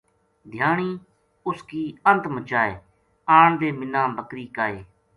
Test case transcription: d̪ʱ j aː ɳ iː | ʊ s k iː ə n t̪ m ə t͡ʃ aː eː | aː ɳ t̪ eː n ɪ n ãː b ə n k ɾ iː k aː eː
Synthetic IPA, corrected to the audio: d̪ʱ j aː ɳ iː | ʊ s k iː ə n t̪ m ə t͡ʃ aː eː | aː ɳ d̪ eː m ɪ n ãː b ə k ɾ iː k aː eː